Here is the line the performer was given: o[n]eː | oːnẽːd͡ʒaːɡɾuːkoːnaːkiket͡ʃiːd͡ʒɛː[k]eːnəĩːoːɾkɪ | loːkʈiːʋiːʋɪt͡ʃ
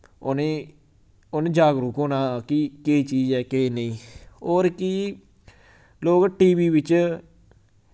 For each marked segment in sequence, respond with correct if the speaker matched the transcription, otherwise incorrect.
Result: correct, correct

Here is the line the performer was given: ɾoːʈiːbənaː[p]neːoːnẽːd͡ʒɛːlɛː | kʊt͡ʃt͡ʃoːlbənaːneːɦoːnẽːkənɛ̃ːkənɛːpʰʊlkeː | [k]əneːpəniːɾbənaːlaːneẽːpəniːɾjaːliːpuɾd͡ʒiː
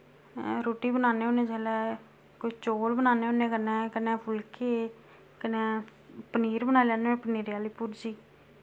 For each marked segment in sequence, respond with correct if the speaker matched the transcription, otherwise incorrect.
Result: incorrect: none, correct

